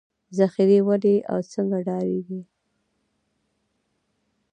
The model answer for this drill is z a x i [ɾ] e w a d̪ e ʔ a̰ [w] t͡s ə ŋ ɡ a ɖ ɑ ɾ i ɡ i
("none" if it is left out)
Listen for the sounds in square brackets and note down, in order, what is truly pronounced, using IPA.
ɾ, w

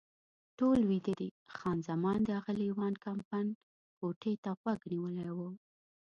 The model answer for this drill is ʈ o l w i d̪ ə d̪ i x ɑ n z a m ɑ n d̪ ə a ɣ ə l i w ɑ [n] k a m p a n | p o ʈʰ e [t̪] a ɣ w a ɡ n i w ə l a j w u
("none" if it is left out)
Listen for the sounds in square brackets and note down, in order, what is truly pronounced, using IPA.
n, t̪

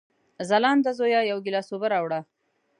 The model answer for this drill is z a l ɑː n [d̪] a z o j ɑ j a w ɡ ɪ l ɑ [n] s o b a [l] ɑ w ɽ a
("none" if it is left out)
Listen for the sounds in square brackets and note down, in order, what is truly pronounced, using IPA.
d̪, none, ɾ

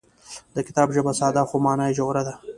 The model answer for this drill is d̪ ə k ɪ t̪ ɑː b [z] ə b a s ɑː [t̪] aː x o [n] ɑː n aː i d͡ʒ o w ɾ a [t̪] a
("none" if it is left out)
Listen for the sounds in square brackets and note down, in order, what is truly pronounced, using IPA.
ʒ, d̪, m, d̪

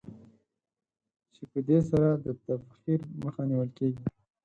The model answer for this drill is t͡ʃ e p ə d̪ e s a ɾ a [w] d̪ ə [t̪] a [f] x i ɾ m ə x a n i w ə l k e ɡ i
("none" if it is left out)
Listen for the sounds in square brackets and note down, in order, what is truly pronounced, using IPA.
none, t̪, f

